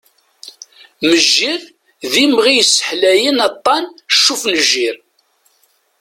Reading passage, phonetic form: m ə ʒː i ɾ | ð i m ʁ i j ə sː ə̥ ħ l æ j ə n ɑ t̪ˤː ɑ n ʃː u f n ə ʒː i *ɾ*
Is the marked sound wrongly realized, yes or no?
no